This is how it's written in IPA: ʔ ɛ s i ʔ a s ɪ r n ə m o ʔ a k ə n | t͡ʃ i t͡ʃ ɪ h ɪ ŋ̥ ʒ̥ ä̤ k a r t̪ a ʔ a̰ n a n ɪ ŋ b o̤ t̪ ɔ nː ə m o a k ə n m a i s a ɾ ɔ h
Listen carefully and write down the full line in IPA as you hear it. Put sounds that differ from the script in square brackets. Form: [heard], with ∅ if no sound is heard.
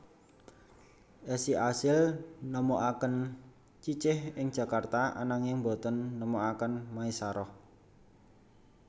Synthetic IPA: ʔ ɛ s i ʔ a s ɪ [l] n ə m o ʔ a k ə n | t͡ʃ i t͡ʃ ɪ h ɪ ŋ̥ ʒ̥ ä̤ k a r t̪ a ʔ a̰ n a [ŋ] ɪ ŋ b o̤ t̪ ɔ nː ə m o a k ə n m a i s a ɾ ɔ h